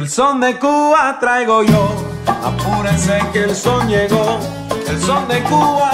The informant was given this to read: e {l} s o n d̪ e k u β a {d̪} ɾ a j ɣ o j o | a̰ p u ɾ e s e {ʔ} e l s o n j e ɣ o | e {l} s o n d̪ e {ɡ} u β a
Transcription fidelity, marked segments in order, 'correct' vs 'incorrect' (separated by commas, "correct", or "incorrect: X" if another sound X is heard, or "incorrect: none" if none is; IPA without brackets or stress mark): correct, incorrect: t̪, incorrect: k, correct, incorrect: k